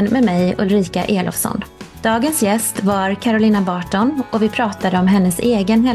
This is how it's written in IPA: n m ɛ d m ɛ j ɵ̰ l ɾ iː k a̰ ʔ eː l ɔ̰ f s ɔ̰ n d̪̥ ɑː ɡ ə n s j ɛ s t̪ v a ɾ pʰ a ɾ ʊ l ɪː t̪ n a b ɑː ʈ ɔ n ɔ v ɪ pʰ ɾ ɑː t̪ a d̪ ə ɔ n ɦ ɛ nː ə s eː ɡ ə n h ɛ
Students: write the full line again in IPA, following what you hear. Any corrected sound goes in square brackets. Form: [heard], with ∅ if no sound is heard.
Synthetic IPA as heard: n m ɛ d m ɛ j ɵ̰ l ɾ iː k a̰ ʔ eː l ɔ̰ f s ɔ̰ n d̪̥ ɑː ɡ ə n s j ɛ s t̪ v a ɾ [kʰ] a ɾ ʊ l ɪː [∅] n a b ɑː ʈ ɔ n ɔ v ɪ pʰ ɾ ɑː t̪ a d̪ ə ɔ [m] ɦ ɛ nː ə s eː ɡ ə n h ɛ